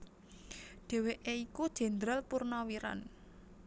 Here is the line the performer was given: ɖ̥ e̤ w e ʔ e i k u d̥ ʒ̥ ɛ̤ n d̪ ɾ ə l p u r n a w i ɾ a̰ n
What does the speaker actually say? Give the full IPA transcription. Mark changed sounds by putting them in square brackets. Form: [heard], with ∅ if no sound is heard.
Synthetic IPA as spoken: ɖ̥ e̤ w e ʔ e i k u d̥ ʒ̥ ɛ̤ n d̪ ɾ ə l p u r n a w i ɾ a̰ n

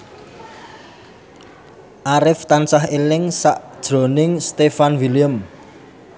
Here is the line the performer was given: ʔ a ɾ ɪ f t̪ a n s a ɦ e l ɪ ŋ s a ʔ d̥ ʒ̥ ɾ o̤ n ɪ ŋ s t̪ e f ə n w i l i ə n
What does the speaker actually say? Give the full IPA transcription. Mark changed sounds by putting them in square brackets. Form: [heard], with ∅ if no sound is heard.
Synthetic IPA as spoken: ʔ a ɾ ɪ f t̪ a n s a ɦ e l ɪ ŋ s a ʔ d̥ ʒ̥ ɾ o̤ n ɪ ŋ s t̪ e f [a] n w i l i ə [m]

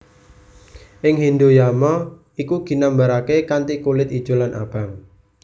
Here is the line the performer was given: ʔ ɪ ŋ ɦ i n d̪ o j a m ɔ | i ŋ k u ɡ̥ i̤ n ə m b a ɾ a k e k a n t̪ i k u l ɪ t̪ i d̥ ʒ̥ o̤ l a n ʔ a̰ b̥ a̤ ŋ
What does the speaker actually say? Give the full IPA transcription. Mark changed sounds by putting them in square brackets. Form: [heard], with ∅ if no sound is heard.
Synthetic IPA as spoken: ʔ ɪ ŋ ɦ i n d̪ o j a m ɔ | i [∅] k u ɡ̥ i̤ n [a] m b a ɾ a k e k a n t̪ i k u l ɪ t̪ i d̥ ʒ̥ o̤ l a n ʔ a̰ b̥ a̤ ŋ

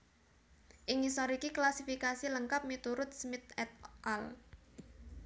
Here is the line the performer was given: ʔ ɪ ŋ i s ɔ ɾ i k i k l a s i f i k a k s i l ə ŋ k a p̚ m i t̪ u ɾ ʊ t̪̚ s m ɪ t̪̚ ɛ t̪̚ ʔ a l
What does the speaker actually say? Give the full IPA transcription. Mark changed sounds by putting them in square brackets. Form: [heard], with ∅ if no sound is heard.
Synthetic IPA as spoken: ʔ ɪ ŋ i s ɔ ɾ i k i k l a s i f i k a [∅] s i l ə ŋ k a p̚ m i t̪ u ɾ ʊ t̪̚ s m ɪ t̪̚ ɛ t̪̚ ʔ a l

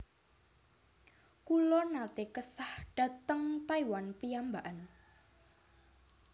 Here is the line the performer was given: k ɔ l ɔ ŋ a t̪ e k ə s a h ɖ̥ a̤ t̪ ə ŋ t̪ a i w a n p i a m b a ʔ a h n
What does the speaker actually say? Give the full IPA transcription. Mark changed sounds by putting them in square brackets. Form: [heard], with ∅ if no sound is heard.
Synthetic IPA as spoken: k [u] l ɔ [n] a t̪ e k ə s a h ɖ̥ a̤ t̪ ə ŋ t̪ a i w a n p i a m b a ʔ a [∅] n

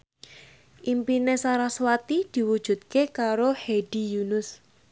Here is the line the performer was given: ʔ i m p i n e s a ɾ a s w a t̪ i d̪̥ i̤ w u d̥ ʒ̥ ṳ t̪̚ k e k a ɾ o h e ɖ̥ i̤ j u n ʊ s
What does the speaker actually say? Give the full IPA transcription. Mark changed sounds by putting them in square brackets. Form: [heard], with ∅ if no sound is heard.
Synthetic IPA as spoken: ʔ i m p i n e s a ɾ a s w a t̪ i d̪̥ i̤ w u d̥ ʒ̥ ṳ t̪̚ k e k a ɾ o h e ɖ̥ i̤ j u n ʊ s

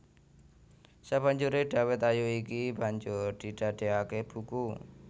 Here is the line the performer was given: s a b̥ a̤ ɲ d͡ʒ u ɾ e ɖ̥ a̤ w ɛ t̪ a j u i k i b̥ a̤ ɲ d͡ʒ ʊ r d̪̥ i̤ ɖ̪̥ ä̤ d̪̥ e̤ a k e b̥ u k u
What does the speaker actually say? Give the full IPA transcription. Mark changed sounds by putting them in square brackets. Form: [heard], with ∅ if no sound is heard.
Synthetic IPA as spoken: s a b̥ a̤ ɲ d͡ʒ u ɾ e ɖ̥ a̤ w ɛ t̪ a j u i k i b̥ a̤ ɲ d͡ʒ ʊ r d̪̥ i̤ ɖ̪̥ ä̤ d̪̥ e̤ a k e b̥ u k u

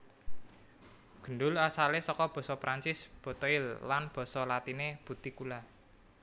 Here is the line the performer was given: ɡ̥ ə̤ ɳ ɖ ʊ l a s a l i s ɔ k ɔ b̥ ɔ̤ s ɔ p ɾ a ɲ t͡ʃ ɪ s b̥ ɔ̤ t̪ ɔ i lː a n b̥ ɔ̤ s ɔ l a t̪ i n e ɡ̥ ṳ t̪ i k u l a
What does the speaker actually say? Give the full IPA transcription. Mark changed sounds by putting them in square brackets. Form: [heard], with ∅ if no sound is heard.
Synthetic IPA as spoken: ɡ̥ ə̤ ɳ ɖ ʊ l a s a l [e] s ɔ k ɔ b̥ ɔ̤ s ɔ p ɾ a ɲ t͡ʃ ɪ s b̥ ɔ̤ t̪ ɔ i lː a n b̥ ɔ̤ s ɔ l a t̪ i n e [b̥] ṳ t̪ i k u l a

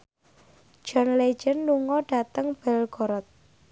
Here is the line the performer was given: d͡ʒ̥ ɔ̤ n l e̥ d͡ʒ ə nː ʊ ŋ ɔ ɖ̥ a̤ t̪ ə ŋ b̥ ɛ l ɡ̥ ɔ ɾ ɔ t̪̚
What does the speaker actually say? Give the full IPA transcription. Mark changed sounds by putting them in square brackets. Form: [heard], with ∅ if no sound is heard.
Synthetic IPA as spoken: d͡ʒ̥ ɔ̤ n l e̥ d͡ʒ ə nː [u] ŋ ɔ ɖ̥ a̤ t̪ ə ŋ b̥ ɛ l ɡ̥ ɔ ɾ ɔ t̪̚

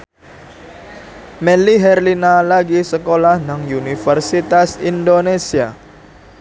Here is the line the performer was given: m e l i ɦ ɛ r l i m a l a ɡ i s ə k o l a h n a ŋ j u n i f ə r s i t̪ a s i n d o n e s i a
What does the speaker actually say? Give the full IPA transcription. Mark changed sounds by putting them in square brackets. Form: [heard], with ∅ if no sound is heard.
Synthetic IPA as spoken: m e l i ɦ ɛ r l i [n] a l a ɡ i s ə k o l a h n a ŋ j u n i f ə r s i t̪ a s i n d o n e s i a

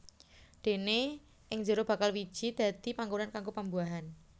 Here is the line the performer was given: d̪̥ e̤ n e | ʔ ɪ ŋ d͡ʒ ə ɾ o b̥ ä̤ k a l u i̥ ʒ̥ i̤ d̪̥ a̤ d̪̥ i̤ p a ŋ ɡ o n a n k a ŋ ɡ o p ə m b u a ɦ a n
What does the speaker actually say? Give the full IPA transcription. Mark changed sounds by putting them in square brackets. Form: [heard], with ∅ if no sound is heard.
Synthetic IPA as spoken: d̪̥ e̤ n e | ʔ ɪ ŋ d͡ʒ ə ɾ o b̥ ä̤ k a l [w] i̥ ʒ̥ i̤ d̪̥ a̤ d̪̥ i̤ p a ŋ ɡ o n a n k a ŋ ɡ o p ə m b u a ɦ a n

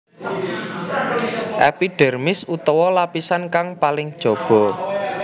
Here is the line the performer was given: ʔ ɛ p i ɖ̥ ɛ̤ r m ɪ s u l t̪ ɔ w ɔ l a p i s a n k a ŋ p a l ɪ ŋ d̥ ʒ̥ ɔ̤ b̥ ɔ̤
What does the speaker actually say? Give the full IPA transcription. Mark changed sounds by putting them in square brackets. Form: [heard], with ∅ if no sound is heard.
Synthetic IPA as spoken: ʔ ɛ p i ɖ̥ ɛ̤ r m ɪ s u [∅] t̪ ɔ w ɔ l a p i s a n k a ŋ p a l ɪ ŋ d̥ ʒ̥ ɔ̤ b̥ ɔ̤

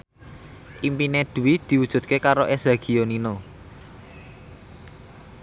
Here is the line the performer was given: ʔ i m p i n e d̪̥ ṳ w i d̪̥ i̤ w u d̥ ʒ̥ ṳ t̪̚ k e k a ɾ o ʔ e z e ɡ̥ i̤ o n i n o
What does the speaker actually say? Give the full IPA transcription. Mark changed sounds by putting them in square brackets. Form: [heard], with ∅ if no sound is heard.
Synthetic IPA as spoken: ʔ i m p i n e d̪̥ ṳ w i d̪̥ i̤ w u d̥ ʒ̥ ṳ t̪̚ k e k a ɾ o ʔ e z [a] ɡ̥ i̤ o n i n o

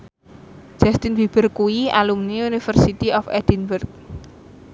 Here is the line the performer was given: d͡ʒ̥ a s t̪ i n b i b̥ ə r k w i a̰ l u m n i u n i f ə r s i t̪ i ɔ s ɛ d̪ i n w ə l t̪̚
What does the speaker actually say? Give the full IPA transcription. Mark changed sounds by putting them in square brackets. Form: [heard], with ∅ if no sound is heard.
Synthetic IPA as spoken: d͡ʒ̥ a s t̪ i n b i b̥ ə r k [u] i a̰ l u m n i u n i f ə r s i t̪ i ɔ [f] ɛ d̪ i n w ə [r] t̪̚

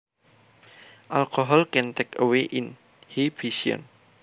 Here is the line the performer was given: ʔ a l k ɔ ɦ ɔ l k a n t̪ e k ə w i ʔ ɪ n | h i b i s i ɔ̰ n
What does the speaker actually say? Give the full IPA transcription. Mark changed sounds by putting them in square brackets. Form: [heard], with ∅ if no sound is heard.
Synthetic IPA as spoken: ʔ a l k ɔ ɦ ɔ l k [ɛ] n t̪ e k ə w [e] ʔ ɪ n | h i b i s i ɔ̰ n

